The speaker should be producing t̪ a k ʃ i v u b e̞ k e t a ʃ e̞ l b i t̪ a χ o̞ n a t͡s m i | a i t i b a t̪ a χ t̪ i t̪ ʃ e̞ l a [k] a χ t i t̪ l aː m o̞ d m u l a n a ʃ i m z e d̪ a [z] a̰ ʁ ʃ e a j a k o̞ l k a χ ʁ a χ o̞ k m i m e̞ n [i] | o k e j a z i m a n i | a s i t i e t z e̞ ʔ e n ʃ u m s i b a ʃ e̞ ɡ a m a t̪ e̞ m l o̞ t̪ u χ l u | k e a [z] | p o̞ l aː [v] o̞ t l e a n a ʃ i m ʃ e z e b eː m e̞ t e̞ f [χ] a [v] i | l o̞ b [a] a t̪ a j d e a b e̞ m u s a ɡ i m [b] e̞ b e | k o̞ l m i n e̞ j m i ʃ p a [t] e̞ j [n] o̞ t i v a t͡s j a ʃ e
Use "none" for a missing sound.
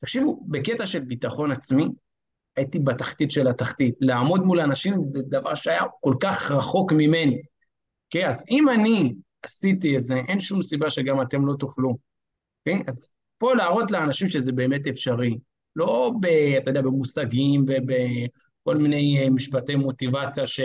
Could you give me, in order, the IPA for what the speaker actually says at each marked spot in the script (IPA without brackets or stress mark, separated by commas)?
t, v, i, z, ʁ, ʃ, ʁ, e, v, t, m